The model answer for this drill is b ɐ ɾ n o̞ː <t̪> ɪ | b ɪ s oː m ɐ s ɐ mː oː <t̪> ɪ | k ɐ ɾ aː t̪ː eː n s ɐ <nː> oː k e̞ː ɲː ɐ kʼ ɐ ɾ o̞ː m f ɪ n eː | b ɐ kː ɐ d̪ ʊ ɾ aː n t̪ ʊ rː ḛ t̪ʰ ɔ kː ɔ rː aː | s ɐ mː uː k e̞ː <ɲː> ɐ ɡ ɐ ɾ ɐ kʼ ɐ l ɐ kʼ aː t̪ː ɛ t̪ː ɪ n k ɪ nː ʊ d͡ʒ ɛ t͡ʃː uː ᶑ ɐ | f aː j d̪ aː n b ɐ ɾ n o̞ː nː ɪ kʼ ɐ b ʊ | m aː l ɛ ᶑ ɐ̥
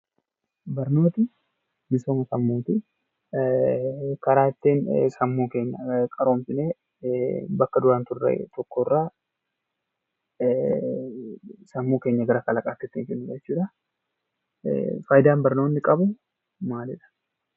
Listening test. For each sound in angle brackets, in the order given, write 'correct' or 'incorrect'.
correct, correct, incorrect: mː, correct

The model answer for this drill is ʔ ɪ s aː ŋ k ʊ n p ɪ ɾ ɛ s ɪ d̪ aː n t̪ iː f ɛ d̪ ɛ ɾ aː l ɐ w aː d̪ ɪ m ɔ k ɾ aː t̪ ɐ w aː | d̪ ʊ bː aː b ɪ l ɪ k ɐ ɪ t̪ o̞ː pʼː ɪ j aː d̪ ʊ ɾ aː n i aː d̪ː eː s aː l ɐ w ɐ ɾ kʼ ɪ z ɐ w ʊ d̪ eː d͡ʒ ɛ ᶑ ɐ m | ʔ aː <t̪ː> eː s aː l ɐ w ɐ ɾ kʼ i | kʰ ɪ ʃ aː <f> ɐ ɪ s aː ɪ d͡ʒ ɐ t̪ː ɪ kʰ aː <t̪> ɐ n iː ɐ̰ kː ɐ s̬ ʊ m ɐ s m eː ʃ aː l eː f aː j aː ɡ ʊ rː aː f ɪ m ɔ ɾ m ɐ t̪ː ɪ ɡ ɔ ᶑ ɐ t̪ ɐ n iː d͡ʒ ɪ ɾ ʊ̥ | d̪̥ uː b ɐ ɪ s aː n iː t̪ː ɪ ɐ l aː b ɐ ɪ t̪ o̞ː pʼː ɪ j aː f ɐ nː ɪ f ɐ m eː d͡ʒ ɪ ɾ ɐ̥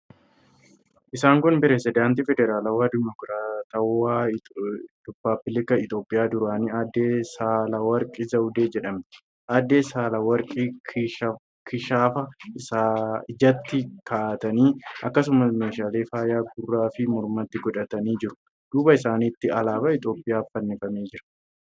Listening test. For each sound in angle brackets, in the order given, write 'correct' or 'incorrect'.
incorrect: d̪ː, correct, correct

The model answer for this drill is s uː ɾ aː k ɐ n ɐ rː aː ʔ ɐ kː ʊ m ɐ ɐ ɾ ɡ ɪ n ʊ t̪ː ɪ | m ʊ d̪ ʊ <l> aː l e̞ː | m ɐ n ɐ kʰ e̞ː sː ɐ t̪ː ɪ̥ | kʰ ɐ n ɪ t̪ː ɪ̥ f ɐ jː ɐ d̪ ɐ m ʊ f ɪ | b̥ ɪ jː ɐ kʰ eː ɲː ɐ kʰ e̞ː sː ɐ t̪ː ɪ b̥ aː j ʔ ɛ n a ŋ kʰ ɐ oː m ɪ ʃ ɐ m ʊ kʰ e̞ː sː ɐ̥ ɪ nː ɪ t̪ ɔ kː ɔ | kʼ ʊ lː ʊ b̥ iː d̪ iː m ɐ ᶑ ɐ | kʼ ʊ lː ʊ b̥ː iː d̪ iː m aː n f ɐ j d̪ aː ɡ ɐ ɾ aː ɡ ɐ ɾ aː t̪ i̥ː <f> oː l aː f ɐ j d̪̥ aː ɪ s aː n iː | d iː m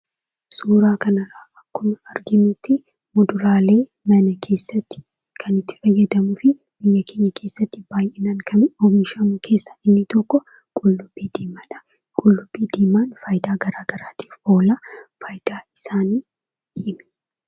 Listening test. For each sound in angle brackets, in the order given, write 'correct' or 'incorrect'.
incorrect: ɾ, correct

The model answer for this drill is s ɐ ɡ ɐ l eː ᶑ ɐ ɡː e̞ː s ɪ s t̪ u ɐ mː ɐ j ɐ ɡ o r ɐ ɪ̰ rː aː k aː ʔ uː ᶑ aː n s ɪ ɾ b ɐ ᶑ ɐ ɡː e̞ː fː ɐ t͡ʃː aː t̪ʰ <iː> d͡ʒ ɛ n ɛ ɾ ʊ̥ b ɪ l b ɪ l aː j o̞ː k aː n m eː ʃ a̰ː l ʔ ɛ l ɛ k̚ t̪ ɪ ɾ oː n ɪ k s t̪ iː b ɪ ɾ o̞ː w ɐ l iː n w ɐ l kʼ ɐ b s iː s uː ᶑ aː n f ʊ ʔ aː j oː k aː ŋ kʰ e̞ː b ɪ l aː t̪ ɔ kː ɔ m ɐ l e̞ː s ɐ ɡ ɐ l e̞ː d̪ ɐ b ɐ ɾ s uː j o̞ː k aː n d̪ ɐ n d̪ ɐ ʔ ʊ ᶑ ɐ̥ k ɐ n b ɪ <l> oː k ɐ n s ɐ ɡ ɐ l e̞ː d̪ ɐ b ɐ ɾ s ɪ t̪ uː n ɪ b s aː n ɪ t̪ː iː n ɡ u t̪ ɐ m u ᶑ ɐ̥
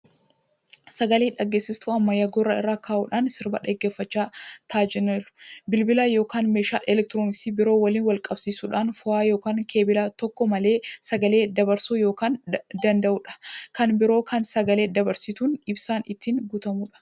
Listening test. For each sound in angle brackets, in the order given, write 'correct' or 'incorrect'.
incorrect: aː, incorrect: ɾ

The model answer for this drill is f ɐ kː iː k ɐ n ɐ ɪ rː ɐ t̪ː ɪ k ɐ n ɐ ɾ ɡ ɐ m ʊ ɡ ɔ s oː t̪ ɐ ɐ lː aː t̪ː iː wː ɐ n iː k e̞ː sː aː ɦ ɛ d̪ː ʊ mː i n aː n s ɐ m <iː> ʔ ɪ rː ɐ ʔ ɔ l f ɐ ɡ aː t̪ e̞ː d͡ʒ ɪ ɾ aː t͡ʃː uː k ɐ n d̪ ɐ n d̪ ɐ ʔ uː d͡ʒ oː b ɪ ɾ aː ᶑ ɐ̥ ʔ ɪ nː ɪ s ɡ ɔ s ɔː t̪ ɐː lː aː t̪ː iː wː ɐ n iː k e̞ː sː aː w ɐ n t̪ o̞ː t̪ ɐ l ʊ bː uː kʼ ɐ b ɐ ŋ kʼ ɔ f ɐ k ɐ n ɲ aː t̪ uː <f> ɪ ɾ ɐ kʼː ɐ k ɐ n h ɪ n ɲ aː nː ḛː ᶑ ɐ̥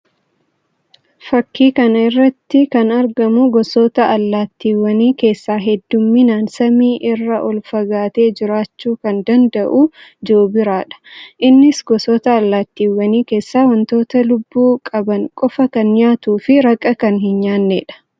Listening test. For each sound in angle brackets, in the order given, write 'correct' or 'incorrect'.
correct, correct

